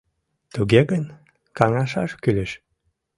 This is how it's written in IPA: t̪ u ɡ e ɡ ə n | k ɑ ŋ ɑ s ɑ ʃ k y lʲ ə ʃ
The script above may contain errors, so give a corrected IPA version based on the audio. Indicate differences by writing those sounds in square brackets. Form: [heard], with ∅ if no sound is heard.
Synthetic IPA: t̪ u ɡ e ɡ ə n | k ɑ ŋ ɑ [ʃ] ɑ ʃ k y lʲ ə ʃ